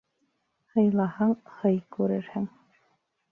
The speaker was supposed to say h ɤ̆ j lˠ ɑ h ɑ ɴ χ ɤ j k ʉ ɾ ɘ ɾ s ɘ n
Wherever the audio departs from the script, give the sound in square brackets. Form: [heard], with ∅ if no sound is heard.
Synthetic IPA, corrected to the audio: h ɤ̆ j lˠ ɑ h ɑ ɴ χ ɤ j k ʉ ɾ ɘ ɾ [h] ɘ [ŋ]